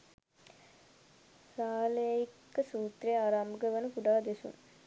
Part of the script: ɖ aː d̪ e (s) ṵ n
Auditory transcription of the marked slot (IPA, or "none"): s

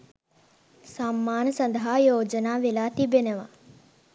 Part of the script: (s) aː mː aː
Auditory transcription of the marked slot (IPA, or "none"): s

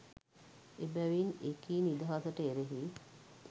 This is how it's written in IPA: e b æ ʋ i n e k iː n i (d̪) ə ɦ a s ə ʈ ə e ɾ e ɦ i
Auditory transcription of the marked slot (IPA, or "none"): d̪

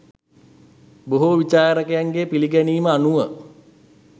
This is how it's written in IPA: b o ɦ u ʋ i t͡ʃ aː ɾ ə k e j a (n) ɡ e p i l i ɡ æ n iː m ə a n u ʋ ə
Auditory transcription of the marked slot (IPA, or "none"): ŋ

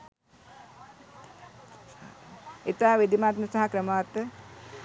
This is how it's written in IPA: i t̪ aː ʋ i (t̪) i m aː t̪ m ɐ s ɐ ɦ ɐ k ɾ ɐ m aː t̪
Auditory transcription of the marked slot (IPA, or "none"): d̪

